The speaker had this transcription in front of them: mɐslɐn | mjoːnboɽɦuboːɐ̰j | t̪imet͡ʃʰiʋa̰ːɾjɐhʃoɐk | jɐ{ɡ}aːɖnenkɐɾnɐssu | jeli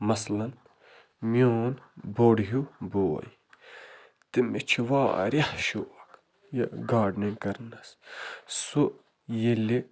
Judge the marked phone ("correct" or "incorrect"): correct